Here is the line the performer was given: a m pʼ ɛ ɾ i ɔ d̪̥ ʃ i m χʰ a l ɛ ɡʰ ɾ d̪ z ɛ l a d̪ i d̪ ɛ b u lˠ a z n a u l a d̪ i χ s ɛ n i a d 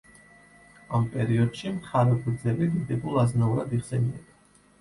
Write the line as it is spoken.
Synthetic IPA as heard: a m pʼ ɛ ɾ i ɔ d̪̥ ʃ i m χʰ a ɾ ɛ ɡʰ ɾ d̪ z ɛ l i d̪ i d̪ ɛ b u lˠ a z n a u ɾ a d̪ i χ s ɛ n i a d